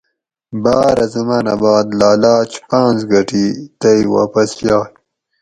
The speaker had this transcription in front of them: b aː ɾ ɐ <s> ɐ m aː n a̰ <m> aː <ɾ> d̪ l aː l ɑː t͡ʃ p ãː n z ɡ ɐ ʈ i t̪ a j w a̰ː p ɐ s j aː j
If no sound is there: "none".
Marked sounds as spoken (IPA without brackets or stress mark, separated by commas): z, b, none